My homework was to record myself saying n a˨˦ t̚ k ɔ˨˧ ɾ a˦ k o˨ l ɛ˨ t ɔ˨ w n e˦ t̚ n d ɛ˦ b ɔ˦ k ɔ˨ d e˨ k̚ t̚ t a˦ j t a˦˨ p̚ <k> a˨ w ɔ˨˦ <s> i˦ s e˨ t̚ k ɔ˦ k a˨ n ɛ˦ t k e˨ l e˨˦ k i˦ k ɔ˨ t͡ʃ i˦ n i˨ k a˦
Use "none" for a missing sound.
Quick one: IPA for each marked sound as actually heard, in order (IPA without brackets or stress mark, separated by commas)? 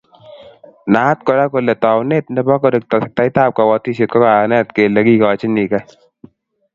k, t